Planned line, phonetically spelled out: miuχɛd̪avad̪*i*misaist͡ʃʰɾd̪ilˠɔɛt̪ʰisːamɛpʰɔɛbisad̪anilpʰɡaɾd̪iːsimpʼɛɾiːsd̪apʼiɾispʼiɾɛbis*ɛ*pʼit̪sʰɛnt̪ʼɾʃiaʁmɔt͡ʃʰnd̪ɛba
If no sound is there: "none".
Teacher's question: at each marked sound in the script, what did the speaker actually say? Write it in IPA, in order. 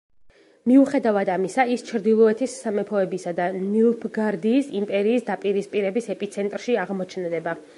a, ɛ

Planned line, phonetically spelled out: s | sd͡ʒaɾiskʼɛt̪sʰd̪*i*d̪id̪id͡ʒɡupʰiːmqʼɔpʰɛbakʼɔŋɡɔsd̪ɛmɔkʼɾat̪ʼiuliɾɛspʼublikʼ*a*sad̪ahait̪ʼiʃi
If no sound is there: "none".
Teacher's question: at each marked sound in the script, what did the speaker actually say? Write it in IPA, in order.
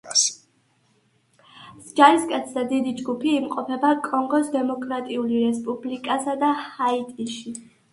a, a

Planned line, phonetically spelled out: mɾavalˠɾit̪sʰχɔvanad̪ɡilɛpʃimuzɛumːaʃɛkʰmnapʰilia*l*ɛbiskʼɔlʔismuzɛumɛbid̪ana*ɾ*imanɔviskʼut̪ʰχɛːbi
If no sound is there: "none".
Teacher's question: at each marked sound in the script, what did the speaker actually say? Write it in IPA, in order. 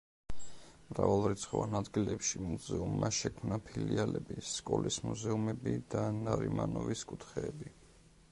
l, ɾ

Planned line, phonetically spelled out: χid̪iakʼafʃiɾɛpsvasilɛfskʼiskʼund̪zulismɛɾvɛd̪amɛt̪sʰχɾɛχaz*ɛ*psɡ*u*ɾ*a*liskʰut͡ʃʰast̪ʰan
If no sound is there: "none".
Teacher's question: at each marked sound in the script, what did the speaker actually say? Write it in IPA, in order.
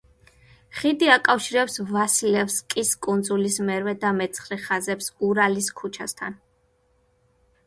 ɛ, u, a

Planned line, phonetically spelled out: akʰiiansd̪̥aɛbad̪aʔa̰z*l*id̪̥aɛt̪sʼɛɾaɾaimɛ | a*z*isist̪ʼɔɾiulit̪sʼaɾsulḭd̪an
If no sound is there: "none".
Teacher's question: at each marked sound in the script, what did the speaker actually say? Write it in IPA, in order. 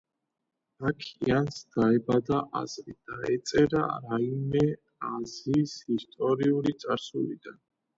ɾ, z

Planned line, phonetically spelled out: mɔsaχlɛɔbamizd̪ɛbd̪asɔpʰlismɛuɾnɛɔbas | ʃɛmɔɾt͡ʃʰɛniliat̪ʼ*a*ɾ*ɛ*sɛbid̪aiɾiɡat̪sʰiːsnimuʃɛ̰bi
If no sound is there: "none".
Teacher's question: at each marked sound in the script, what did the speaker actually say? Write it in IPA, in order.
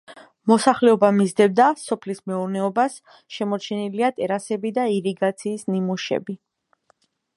ɛ, a

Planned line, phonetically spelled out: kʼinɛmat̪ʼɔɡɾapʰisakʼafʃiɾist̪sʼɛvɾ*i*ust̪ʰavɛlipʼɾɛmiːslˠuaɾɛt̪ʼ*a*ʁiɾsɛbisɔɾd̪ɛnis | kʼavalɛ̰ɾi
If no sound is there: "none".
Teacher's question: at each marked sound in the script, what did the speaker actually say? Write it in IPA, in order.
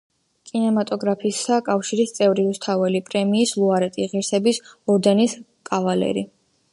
i, i

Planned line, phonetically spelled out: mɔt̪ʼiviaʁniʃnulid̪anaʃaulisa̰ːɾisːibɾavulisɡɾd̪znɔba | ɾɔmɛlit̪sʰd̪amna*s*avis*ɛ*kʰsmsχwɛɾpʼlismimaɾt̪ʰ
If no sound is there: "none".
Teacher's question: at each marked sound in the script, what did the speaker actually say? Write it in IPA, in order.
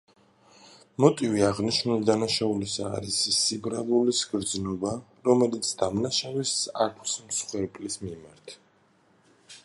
ʃ, a

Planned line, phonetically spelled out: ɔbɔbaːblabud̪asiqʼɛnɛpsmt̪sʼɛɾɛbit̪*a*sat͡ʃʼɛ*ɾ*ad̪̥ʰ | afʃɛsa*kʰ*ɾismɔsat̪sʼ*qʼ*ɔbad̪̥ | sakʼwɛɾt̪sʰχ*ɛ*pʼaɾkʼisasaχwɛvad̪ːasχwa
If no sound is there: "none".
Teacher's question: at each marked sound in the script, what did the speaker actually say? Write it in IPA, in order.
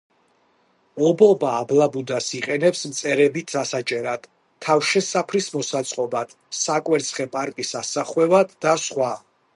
a, ɾ, pʰ, qʼ, ɛ

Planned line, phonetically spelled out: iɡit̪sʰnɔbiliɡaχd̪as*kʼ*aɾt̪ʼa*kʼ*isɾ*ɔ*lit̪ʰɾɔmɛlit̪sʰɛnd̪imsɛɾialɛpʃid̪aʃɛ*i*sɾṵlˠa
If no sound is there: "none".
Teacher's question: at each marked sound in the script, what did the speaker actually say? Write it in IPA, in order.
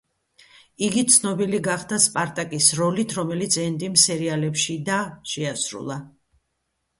pʼ, kʼ, ɔ, a

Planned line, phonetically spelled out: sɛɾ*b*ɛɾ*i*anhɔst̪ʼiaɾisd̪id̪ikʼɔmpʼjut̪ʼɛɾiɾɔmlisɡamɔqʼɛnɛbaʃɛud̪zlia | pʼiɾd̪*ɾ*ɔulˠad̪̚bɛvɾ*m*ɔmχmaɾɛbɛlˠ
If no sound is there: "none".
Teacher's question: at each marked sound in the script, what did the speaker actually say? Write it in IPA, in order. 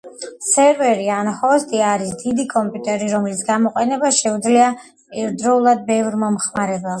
v, i, ɾ, m

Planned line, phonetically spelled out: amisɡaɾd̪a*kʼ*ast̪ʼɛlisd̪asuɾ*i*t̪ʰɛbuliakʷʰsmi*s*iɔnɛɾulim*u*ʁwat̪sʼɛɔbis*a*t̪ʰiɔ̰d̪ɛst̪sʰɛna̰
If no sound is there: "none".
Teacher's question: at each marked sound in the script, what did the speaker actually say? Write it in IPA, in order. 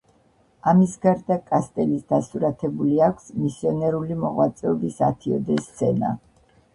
kʼ, a, s, ɔ, a

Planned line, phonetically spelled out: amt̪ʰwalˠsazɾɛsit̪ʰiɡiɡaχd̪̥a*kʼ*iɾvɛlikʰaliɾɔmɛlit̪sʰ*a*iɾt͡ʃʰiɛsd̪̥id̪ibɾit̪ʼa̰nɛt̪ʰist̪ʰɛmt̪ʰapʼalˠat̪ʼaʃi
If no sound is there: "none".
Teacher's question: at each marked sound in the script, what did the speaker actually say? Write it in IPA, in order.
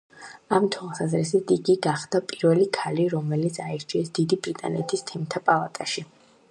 pʼ, a

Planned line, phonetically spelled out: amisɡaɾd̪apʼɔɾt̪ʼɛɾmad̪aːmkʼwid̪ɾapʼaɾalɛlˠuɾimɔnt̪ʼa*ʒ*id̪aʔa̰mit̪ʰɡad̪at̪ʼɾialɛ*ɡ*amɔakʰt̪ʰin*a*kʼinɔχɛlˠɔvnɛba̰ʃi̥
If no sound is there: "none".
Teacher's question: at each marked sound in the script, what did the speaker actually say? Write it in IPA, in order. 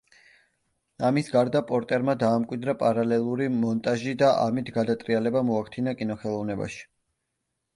ʒ, b, a

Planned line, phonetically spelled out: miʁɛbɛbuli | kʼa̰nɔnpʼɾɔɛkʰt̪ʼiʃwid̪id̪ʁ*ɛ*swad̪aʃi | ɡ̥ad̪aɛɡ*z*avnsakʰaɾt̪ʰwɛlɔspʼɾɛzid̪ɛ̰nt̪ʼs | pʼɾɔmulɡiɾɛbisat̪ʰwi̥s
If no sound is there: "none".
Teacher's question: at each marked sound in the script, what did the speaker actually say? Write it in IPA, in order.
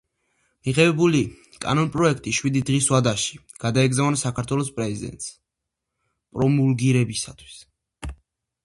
i, z

